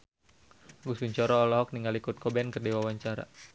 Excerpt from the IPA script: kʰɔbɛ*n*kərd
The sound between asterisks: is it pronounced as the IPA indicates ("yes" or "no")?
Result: yes